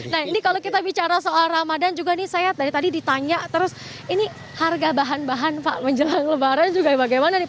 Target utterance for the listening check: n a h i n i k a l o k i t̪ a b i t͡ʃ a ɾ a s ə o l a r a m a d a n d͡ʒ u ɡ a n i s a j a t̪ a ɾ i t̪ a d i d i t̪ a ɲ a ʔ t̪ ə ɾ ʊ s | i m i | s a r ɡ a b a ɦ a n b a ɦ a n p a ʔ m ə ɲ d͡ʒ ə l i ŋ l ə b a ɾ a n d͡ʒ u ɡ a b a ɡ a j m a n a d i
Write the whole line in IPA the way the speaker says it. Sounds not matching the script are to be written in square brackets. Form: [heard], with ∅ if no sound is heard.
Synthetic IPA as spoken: n a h i n i k a l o k i t̪ a b i t͡ʃ a ɾ a s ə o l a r a m a d a n d͡ʒ u ɡ a n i s a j a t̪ a ɾ i t̪ a d i d i t̪ a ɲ a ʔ t̪ ə ɾ ʊ s | i [n] i | [h] a r ɡ a b a ɦ a n b a ɦ a n p a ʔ m ə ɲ d͡ʒ ə l [a] ŋ l ə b a ɾ a n d͡ʒ u ɡ a b a ɡ a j m a n a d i

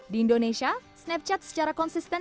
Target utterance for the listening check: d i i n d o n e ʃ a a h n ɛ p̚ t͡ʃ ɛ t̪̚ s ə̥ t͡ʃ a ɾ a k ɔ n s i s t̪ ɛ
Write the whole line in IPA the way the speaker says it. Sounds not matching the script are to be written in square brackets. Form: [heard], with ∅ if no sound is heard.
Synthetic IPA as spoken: d i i n d o n e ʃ [i] a [s] n ɛ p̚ t͡ʃ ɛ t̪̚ s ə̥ t͡ʃ a ɾ a k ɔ n s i s t̪ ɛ

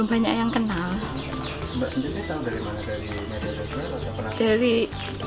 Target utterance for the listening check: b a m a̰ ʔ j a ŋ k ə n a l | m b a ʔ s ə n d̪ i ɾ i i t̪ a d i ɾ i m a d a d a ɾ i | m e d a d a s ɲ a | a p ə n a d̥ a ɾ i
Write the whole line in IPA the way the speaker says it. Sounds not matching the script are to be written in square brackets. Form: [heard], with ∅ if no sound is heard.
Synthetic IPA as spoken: b a [ɲ] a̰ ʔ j a ŋ k ə n a l | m b a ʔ s ə n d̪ i ɾ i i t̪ a d [a] ɾ i m a [n] a d a ɾ i | m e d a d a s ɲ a | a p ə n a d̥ a ɾ i

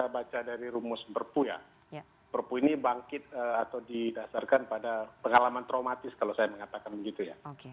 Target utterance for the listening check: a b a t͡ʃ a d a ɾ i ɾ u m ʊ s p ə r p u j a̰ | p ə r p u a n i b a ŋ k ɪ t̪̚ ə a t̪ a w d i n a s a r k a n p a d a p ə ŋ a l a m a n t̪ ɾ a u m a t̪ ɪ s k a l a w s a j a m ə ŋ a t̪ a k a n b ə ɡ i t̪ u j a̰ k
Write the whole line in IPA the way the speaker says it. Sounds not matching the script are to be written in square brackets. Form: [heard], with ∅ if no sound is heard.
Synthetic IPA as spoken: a b a t͡ʃ a d a ɾ i ɾ u m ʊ s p ə r p u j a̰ | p ə r p u [i] n i b a ŋ k ɪ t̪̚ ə a t̪ a w d i [d] a s a r k a n p a d a p ə ŋ a l a m a n t̪ ɾ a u m a t̪ ɪ s k a l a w s a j a m ə ŋ a t̪ a k a n b ə ɡ i t̪ u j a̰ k

